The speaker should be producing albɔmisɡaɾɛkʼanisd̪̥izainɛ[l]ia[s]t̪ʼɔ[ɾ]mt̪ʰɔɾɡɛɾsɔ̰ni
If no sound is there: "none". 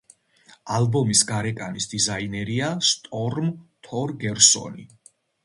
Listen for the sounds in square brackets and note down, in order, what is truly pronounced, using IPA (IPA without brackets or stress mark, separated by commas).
ɾ, s, ɾ